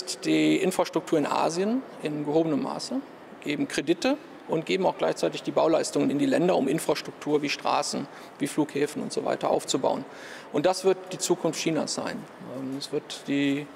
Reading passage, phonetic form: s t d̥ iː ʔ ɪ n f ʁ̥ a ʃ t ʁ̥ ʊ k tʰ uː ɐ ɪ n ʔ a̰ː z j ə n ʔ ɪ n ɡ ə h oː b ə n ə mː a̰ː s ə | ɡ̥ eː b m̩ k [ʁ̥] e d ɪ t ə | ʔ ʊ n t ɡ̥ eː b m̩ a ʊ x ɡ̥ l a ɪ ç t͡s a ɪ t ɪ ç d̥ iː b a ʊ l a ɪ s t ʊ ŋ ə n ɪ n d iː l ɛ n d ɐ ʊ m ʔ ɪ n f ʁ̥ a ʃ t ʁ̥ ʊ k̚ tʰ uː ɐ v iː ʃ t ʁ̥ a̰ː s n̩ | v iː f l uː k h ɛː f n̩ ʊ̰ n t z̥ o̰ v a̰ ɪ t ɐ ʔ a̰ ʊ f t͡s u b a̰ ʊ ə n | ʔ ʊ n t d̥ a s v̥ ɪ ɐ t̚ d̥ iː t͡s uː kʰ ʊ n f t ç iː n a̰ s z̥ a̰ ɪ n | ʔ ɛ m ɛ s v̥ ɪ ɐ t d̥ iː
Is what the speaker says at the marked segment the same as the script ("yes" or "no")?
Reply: yes